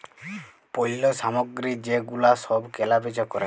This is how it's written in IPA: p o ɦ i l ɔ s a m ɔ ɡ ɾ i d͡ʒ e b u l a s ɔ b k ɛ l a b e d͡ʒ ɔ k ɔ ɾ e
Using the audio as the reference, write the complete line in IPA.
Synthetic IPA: p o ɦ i l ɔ s a m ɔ ɡ ɾ i d͡ʒ e ɡ u l a s ɔ b k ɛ l a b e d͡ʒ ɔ k ɔ ɾ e